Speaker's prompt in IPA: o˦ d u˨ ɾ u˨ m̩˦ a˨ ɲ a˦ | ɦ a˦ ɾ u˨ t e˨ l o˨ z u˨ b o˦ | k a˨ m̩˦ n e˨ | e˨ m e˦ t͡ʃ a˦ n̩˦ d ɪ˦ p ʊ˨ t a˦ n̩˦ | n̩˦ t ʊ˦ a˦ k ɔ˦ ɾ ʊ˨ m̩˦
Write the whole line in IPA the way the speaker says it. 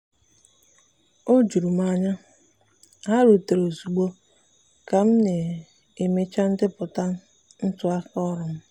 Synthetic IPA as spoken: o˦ d͡ʒ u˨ ɾ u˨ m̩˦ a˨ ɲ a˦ | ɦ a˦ ɾ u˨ t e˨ ɾ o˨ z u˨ ɡ͡b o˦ | k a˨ m̩˦ n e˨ | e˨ m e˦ t͡ʃ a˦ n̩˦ d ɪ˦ p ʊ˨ t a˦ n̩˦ | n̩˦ t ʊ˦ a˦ k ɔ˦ ɾ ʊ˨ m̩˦